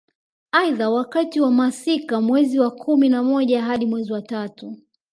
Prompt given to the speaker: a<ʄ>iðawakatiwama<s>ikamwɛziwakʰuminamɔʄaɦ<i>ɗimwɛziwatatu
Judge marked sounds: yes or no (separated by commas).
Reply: no, yes, no